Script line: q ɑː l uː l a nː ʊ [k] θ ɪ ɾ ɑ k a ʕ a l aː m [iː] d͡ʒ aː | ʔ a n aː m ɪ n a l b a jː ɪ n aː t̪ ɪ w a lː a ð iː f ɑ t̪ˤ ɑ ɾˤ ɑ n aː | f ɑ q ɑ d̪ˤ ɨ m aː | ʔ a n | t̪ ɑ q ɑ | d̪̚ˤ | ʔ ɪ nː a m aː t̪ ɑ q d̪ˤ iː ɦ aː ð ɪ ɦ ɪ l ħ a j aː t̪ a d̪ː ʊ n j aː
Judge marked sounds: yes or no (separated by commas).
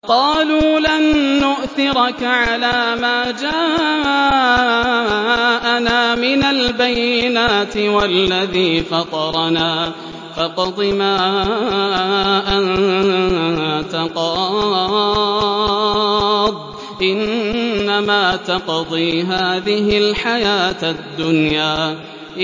no, no